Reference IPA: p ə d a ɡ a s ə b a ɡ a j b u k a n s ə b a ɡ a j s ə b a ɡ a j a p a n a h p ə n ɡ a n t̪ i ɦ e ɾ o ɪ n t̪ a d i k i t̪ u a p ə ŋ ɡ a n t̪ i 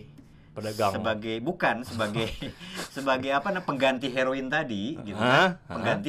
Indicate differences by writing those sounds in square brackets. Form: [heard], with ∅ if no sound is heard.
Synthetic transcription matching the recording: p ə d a ɡ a s ə b a ɡ a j b u k a n s ə b a ɡ a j s ə b a ɡ a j a p a n a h p ə [ŋ] ɡ a n t̪ i ɦ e ɾ o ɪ n t̪ a d i [ɡ] i t̪ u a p ə ŋ ɡ a n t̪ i